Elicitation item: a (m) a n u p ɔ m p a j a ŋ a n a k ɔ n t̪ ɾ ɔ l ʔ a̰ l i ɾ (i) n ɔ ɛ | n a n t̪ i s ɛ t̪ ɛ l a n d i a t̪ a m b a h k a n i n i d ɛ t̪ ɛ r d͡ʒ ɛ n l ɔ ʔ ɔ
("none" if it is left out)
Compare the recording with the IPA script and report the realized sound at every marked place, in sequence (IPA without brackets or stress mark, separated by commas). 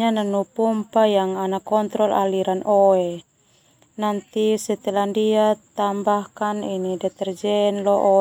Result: n, a